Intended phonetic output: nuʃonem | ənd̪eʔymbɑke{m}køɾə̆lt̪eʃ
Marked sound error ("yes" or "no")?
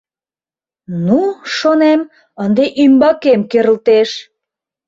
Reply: no